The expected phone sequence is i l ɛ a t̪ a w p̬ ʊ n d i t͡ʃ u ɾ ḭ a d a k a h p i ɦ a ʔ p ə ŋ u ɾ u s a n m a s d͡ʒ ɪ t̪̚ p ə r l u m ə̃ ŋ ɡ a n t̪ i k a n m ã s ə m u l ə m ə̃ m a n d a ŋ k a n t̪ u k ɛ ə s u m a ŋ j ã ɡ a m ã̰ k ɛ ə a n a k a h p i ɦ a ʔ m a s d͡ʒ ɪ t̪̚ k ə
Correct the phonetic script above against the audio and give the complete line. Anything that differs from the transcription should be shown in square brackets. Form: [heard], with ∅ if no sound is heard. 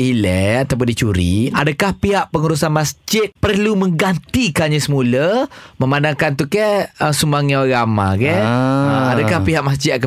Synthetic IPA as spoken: i l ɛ a t̪ a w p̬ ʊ n d i t͡ʃ u ɾ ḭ a d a k a h p i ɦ a ʔ p ə ŋ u ɾ u s a n m a s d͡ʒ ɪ t̪̚ p ə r l u m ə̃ ŋ ɡ a n t̪ i k a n [ɲ] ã s ə m u l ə m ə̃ m a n d a ŋ k a n t̪ u k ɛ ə s u m a ŋ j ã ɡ a m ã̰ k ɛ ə a [d] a k a h p i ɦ a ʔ m a s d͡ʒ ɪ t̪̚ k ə